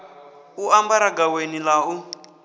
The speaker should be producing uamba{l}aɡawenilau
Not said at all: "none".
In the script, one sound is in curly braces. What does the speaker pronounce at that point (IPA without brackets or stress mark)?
ɾ